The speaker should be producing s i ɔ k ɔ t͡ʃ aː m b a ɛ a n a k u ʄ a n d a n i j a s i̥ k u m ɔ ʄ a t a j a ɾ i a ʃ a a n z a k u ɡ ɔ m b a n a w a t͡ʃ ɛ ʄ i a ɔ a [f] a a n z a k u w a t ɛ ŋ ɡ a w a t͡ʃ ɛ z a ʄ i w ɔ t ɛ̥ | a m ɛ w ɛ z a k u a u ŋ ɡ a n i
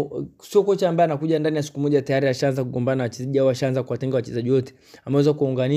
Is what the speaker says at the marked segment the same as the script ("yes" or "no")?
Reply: no